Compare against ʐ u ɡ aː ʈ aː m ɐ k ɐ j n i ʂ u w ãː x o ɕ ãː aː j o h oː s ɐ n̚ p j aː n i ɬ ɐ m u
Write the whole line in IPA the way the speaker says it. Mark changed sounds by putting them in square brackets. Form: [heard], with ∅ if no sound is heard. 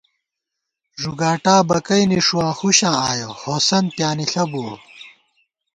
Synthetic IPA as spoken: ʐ u ɡ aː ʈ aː [b] ɐ k ɐ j n i ʂ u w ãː x [u] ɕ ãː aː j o h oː s ɐ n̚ p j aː n i ɬ ɐ [b] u